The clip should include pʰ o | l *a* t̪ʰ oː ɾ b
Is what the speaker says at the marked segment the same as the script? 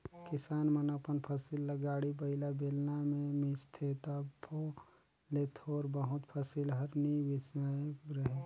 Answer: no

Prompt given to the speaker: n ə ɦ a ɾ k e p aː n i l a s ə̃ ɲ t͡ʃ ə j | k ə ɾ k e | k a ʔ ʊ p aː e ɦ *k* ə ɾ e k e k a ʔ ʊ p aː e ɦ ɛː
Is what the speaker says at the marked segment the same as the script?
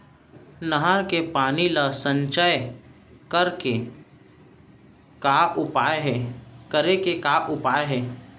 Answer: yes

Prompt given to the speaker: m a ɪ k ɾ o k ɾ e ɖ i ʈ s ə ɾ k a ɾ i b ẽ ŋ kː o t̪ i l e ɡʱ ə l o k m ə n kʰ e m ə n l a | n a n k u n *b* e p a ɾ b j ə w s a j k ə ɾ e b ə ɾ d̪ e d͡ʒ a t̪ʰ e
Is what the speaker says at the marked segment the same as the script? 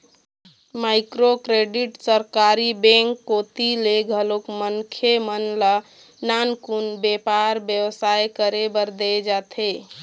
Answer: yes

